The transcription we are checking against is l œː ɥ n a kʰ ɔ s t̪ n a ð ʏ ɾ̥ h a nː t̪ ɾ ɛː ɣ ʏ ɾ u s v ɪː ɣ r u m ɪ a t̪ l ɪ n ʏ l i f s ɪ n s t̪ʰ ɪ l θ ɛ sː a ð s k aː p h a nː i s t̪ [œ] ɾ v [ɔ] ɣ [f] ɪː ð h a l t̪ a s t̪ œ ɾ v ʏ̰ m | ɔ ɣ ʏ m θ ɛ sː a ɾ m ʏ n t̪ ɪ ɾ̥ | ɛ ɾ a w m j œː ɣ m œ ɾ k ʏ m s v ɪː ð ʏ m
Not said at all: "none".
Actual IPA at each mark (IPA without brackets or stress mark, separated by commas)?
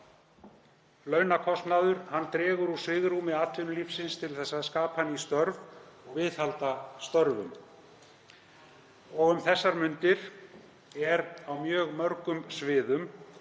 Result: œ, ɔ, v